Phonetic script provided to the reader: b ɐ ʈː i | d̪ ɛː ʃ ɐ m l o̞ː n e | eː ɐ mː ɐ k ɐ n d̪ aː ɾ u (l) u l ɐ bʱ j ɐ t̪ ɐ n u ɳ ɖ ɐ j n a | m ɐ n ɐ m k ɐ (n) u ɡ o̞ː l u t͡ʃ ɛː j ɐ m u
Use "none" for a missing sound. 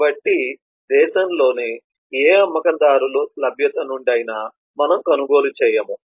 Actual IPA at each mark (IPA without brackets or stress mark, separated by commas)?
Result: l, n